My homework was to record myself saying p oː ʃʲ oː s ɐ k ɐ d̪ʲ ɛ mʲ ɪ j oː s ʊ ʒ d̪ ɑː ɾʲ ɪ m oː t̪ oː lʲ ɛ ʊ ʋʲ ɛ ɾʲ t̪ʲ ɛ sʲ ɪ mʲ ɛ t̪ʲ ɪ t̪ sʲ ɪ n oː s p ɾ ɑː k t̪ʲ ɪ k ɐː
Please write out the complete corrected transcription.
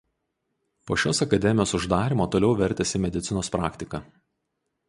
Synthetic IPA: p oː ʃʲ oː s ɐ k ɐ d̪ʲ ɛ mʲ ɪ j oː s ʊ ʒ d̪ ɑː ɾʲ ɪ m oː t̪ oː lʲ ɛ ʊ ʋʲ ɛ ɾʲ t̪ʲ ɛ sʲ ɪ mʲ ɛ d̪ʲ ɪ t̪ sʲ ɪ n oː s p ɾ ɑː k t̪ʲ ɪ k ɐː